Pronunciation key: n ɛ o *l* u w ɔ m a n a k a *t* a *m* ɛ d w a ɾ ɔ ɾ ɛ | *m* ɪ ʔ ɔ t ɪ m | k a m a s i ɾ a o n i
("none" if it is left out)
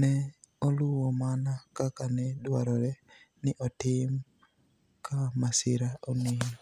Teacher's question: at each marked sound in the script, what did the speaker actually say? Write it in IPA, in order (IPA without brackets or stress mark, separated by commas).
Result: l, k, n, n